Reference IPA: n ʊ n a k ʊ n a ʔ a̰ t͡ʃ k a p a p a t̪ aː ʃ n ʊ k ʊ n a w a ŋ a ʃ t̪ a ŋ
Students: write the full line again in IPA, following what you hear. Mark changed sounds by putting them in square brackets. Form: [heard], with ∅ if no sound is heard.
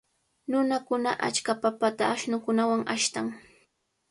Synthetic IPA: n ʊ n a k ʊ n a ʔ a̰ t͡ʃ k a p a p a t̪ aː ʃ n ʊ k ʊ n a w a ŋ a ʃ t̪ a ŋ